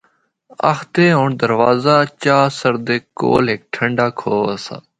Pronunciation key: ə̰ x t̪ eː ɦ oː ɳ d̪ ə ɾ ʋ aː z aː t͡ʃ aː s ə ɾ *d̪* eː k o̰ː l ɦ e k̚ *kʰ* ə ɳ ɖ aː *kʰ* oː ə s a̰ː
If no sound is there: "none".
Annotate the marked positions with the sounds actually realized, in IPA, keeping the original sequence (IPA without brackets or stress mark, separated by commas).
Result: d̪, ʈʰ, kʰ